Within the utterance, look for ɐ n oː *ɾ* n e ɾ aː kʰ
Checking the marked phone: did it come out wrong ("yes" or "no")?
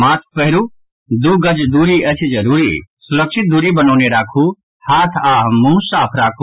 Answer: yes